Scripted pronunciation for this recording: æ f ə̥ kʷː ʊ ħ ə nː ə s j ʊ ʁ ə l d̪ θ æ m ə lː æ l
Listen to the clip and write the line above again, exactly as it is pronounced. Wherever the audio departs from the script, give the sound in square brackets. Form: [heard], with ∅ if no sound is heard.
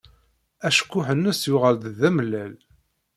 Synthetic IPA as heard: æ [ʃ] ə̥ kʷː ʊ ħ ə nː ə s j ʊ ʁ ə l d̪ [ð] æ m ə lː æ l